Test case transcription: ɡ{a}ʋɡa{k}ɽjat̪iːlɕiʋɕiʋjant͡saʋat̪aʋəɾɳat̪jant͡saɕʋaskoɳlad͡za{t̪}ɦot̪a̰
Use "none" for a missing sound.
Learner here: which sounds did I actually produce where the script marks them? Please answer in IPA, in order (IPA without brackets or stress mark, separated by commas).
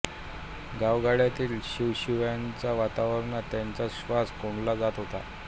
a, none, t̪